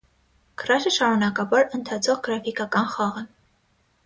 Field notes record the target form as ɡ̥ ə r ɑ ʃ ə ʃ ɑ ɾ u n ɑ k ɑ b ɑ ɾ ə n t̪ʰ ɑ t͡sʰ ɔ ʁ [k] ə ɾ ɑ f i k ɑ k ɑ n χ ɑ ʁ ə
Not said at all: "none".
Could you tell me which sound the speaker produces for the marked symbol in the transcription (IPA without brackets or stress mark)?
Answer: ɡ